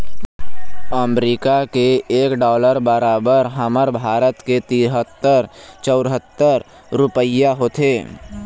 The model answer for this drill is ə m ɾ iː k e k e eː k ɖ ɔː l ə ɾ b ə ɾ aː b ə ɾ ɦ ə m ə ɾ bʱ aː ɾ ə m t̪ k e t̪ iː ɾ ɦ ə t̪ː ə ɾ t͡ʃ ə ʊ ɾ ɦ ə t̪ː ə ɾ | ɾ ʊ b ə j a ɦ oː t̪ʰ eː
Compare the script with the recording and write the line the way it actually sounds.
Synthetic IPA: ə m ɾ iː k a k e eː k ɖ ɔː l ə ɾ b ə ɾ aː b ə ɾ ɦ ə m ə ɾ bʱ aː ɾ ə t̪ k e t̪ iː ɾ ɦ ə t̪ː ə ɾ t͡ʃ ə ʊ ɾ ɦ ə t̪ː ə ɾ | ɾ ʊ p ə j a ɦ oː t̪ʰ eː

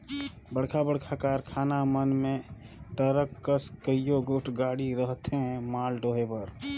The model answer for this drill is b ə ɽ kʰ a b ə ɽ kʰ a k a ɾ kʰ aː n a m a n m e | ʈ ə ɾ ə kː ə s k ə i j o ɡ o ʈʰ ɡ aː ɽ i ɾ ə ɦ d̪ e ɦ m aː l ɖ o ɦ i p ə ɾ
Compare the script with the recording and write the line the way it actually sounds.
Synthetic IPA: b ə ɽ kʰ a b ə ɽ kʰ a k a ɾ kʰ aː n a m ə n m e | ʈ ə ɾ ə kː ə s k ə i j o ɡ o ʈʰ ɡ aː ɽ i ɾ ə ɦ t̪ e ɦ m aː l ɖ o ɦ e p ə ɾ

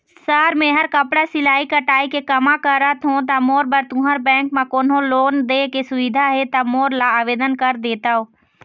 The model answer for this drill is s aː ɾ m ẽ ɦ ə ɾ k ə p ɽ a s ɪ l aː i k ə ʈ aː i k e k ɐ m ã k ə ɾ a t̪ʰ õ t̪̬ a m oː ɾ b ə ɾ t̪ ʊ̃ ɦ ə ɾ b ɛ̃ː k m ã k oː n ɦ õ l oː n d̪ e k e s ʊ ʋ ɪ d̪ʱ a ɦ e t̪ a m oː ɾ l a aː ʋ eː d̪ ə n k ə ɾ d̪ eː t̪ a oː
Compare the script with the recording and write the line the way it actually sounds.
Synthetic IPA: s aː ɾ m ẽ ɦ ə ɾ k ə p ɽ a s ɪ l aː i k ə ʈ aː i k e k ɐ m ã k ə ɾ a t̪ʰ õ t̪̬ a m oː ɾ b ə ɾ t̪ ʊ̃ ɦ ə ɾ b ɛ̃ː k m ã k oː n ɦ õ l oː n d̪ e k e s ʊ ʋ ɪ d̪ʱ a ɦ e t̪ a m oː ɾ l a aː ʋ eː d̪ ə n k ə ɾ d̪ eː t̪ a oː

